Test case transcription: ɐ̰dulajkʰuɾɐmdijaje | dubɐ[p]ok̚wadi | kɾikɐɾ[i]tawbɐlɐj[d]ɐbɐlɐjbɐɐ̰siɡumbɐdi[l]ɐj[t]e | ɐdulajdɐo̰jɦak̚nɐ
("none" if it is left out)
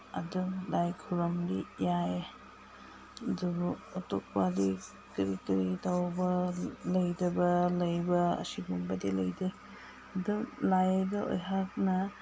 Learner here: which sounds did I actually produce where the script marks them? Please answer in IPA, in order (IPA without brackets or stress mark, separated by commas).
t, i, d, l, d